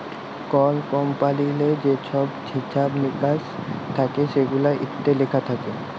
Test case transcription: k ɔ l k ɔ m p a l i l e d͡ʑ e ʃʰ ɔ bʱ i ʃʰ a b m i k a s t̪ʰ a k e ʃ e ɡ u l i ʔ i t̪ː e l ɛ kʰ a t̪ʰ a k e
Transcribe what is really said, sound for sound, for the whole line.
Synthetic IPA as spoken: k ɔ l k ɔ m p a l i l e d͡ʑ e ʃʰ ɔ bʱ i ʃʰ a b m i k a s t̪ʰ a k e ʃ e ɡ u l a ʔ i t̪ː e l e kʰ a t̪ʰ a k e